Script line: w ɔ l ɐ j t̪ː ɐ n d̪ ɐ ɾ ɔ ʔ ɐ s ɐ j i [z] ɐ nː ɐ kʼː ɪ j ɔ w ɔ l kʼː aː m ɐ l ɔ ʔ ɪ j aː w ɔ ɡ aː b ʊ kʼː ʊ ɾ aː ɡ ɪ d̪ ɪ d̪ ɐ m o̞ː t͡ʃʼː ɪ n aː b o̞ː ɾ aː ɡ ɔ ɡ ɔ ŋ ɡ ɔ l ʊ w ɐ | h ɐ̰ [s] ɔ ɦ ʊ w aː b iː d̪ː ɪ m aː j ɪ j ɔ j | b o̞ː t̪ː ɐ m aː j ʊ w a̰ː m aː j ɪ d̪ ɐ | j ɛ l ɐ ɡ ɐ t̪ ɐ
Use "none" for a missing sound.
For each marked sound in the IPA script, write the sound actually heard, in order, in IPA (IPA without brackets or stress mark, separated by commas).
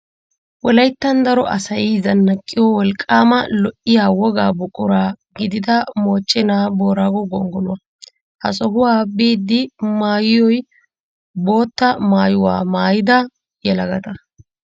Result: z, s